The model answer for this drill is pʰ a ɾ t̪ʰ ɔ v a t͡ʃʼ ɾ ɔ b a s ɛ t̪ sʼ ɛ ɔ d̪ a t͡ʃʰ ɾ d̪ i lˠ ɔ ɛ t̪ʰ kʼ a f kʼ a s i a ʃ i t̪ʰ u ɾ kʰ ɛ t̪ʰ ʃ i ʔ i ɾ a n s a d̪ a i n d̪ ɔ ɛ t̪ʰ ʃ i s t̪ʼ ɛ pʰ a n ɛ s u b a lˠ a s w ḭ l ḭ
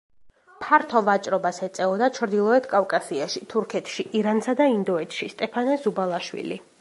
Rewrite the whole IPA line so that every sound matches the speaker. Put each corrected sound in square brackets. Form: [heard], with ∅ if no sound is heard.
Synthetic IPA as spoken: pʰ a ɾ t̪ʰ ɔ v a t͡ʃʼ ɾ ɔ b a s ɛ t̪ sʼ ɛ ɔ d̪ a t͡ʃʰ ɾ d̪ i lˠ ɔ ɛ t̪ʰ kʼ a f kʼ a s i a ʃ i t̪ʰ u ɾ kʰ ɛ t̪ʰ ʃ i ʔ i ɾ a n s a d̪ a i n d̪ ɔ ɛ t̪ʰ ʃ i s t̪ʼ ɛ pʰ a n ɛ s u b a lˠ a [ʃ] w ḭ l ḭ